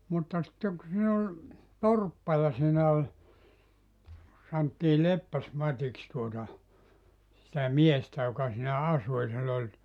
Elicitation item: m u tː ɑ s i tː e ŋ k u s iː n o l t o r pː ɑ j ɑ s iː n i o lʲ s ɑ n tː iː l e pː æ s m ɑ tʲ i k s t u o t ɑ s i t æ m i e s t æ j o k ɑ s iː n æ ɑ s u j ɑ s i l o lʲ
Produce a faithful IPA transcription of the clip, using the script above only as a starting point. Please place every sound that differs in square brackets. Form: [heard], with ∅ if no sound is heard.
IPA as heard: m u tː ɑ s i tː e ŋ k u s iː n o l t o r pː ɑ j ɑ s iː n [æ] o lʲ s ɑ n tː iː l e pː æ s m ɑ tʲ i k s t u o t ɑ s i t æ m i e s t æ j o k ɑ s iː n æ ɑ s u j ɑ s i [lː] o lʲ

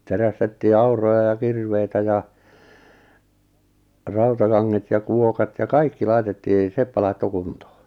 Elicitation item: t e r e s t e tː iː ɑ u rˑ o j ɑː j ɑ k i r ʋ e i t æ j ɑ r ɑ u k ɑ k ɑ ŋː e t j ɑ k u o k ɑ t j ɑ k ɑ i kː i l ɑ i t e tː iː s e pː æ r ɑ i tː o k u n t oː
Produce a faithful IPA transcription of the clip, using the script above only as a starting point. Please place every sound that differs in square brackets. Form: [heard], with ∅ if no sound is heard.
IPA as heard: t e r [æ] s t e tː iː ɑ u rˑ o j [ɑ] j ɑ k i r ʋ e i t æ j ɑ r ɑ u [t] ɑ k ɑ ŋː e t j ɑ k u o k ɑ t j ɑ k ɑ i kː i l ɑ i t e tː iː s e pː æ [l] ɑ i tː o k u n t oː

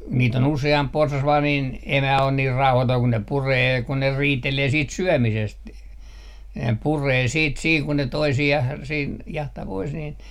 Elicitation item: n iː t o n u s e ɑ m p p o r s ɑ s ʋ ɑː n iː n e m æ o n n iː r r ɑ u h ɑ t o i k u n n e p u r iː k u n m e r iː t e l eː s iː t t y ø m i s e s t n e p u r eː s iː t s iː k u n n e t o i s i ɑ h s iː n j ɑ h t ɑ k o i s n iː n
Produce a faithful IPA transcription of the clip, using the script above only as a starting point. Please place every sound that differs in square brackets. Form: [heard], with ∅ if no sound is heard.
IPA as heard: n iː t o n u s e ɑ m p p o r s ɑ s ʋ ɑː n iː n e m æ o n n iː r r ɑ u h ɑ t o i k u n n e p u r [eː] k u n [n] e r iː t e l eː s iː t [s] y ø m i s e s t n e p u r eː s iː t s iː k u n n e t o i s i ɑ h s iː n j ɑ h t ɑ [p] o i s n iː n

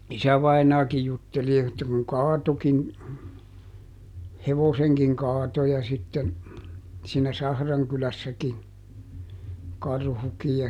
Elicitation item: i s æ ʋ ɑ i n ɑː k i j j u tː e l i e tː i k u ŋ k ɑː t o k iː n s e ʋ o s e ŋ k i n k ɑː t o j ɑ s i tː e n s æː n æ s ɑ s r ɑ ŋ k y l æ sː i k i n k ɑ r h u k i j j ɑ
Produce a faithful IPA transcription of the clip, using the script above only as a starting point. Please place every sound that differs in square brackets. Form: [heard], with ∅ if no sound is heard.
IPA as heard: i s æ ʋ ɑ i n ɑː k i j j u tː e l i e tː [æ] k u ŋ k ɑː t o k [i] n [h] e ʋ o s e ŋ k i [ŋ] k ɑː t o j ɑ s i tː e n s [iː] n æ s ɑ [h] r ɑ ŋ k y l æ sː [æ] k i n k ɑ r h u k i j j ɑ

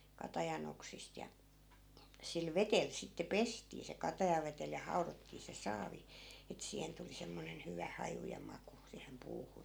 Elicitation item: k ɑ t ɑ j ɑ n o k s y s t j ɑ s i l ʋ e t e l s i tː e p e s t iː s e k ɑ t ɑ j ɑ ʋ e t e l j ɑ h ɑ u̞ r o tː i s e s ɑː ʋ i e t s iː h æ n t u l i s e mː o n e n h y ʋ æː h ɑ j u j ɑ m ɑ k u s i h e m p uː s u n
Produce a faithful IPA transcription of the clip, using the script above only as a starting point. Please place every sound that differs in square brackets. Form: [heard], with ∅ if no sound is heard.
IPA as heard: k ɑ t ɑ j ɑ n o k s [i] s t j ɑ s i l ʋ e t e l s i tː e p e s t iː s e k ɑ t ɑ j ɑ ʋ e t e l j ɑ h ɑ u̞ r o tː [iː] s e s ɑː ʋ i e t s iː h [e] n t u l i s e mː o n e n h y ʋ [æ] h ɑ j u j ɑ m ɑ k u s [iː] h e m p uː [h] u n

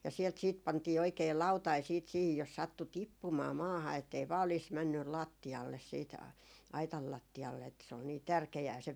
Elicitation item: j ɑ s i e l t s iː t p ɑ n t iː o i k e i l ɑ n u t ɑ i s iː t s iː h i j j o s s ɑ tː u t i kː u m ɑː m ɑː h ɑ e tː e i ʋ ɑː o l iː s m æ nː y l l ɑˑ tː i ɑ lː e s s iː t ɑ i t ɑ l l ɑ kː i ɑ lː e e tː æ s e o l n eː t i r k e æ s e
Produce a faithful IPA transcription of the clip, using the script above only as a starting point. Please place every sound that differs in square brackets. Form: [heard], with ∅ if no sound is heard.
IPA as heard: j ɑ s i e l t s iː t p ɑ n t iː o i k e i l ɑ [∅] u t ɑ i s iː t s iː h i j j o s s ɑ tː u t i [pː] u m ɑː m ɑː h ɑ e tː e i ʋ ɑː o l iː s m æ nː y l l ɑˑ tː i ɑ lː e s s iː t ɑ i t ɑ l l ɑ [tː] i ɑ lː e e tː æ s e o l n [iː] t [æ] r k e [æː] s e

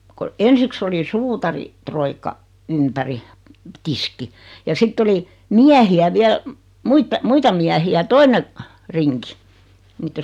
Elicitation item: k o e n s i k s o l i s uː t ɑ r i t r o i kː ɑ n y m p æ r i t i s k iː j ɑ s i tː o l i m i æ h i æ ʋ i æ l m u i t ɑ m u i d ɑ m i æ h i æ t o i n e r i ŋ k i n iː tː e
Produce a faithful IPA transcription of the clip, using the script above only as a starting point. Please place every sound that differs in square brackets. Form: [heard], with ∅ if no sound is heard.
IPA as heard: k o e n s i k s o l i s uː t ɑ r i t r o i kː ɑ [∅] y m p æ r i t i s k [i] j ɑ s i tː o l i m i æ h i æ ʋ i æ l m u i t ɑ m u i [t] ɑ m i æ h i æ t o i n e r i ŋ k i n iː tː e

